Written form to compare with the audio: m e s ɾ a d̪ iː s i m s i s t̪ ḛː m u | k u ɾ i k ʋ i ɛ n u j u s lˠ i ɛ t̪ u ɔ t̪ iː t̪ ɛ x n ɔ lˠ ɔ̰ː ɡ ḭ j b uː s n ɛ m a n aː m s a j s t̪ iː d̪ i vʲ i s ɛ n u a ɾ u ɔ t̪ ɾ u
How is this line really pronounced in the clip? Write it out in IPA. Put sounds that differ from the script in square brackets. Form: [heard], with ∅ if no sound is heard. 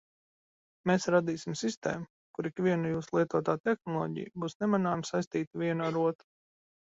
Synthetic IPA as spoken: m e s ɾ a d̪ iː s i m s i s t̪ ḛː m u | k u ɾ i k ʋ i ɛ n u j [uː] s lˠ i ɛ t̪ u ɔ t̪ [aː] t̪ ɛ x n ɔ lˠ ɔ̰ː [ɟ] ḭ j b uː s n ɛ m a n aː m s a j s t̪ iː [t̪] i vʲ i [∅] ɛ n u a ɾ u ɔ t̪ ɾ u